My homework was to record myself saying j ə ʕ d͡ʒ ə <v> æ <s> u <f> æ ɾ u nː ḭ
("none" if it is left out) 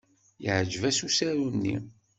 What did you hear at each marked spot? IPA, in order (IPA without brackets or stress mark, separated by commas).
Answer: v, s, s